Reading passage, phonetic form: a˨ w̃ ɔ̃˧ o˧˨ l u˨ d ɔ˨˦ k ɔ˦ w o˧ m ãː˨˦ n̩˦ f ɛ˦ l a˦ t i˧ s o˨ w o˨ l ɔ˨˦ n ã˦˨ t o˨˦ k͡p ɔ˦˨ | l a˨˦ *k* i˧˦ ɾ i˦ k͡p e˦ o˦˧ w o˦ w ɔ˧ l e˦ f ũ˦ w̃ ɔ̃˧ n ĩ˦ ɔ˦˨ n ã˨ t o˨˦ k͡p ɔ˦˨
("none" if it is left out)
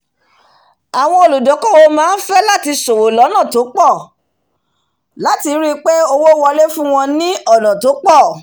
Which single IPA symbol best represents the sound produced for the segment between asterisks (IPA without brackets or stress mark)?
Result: t